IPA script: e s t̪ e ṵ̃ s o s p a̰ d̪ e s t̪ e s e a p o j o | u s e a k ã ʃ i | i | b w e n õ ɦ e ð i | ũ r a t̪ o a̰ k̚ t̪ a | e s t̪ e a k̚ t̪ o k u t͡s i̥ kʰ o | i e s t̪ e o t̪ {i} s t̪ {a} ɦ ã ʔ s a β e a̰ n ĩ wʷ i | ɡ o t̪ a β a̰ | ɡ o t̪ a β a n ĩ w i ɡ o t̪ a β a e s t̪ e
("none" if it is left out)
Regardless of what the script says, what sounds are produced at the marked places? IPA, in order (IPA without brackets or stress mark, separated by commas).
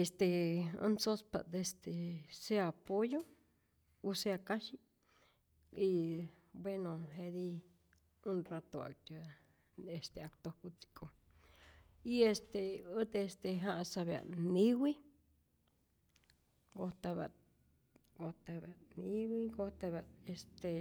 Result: e, e